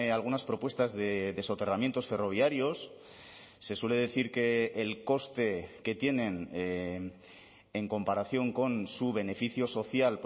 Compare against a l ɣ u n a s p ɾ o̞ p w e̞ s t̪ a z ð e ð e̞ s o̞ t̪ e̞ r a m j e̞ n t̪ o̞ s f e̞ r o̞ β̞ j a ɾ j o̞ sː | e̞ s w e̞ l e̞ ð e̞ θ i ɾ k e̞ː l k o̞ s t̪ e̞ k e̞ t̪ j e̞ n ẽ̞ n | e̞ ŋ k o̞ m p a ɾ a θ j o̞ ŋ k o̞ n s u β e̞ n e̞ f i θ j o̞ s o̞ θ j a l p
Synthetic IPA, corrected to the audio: a l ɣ u n a s p ɾ o̞ p w e̞ s t̪ a z ð e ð e̞ s o̞ t̪ e̞ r a m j e̞ n t̪ o̞ s f e̞ r o̞ β̞ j a ɾ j o̞ sː | e̞ s w e̞ l e̞ ð e̞ θ i ɾ k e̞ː l k o̞ s t̪ e̞ k e̞ t̪ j e̞ n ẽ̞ n | e̞ ŋ k o̞ m p a ɾ a θ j o̞ ŋ k o̞ n s u β e̞ n e̞ f i θ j o̞ s o̞ θ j a l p